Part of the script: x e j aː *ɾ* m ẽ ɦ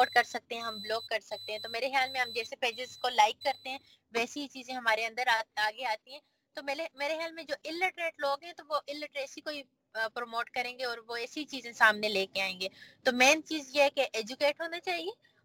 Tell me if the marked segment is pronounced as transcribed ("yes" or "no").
no